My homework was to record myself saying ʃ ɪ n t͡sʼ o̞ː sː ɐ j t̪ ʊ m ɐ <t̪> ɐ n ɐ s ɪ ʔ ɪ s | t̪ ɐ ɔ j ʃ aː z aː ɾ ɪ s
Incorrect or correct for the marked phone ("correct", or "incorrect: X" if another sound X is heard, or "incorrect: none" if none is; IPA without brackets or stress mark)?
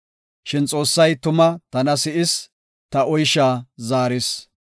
correct